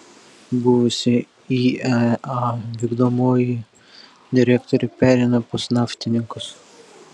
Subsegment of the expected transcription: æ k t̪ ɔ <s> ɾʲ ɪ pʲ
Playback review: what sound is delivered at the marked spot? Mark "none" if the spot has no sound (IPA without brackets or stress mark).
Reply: none